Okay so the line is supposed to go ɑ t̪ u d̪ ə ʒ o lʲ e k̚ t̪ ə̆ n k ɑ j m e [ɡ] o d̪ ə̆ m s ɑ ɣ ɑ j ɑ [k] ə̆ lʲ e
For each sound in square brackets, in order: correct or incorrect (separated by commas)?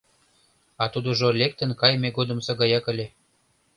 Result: correct, correct